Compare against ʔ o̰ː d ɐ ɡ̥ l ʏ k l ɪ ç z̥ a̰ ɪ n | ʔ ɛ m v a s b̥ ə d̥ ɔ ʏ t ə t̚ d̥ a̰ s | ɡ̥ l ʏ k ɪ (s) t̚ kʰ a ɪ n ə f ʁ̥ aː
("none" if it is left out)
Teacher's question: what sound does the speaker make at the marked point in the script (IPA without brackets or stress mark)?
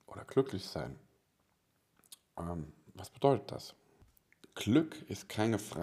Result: s